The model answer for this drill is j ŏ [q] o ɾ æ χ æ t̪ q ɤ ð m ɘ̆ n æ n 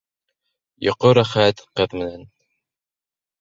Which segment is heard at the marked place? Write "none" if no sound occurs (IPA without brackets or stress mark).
q